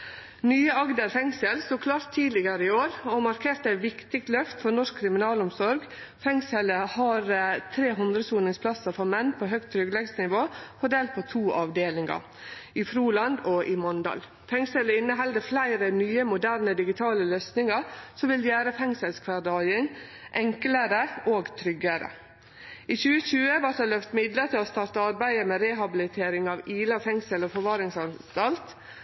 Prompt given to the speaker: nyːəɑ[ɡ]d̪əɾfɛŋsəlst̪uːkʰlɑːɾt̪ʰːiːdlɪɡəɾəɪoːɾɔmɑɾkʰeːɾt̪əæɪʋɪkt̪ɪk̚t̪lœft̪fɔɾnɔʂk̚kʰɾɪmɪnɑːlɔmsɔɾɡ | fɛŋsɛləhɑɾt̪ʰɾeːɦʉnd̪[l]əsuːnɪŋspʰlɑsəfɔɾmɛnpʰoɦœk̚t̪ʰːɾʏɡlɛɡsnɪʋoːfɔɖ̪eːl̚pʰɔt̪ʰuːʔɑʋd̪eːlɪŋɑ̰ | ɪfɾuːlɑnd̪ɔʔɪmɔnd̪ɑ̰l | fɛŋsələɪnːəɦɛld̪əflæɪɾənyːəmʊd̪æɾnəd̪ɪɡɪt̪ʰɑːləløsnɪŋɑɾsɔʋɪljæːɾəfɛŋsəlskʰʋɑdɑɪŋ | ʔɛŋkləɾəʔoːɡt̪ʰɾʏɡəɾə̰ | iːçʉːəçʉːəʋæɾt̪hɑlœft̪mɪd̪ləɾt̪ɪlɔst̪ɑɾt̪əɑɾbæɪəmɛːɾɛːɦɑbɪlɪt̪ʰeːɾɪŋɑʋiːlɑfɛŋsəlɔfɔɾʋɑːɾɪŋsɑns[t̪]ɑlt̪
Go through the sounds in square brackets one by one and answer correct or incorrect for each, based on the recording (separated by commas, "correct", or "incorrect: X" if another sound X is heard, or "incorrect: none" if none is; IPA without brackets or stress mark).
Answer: correct, incorrect: ɾ, correct